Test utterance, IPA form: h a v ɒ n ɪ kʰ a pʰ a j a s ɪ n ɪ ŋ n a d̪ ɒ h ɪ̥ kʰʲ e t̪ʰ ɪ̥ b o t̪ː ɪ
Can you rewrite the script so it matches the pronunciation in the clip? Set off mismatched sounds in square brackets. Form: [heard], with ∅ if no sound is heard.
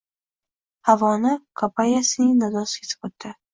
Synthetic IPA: h a v ɒ n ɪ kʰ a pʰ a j a s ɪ n ɪ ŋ n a d̪ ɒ [s] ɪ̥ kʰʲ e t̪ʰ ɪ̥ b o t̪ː ɪ